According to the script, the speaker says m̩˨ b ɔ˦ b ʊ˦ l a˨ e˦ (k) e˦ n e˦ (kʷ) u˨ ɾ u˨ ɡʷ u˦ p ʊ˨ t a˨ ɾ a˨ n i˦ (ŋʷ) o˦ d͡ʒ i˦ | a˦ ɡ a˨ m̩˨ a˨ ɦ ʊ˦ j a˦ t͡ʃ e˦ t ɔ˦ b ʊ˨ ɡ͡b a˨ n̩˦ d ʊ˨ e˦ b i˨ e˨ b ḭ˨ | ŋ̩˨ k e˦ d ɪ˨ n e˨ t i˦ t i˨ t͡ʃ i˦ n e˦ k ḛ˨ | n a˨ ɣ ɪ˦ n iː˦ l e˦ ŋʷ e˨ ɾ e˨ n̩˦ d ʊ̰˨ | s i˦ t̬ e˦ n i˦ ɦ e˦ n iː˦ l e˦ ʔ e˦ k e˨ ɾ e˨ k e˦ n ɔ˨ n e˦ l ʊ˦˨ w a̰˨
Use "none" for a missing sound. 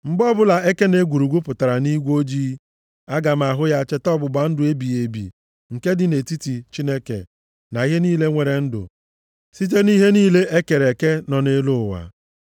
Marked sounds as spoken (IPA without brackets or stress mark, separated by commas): k, ɡʷ, ɡʷ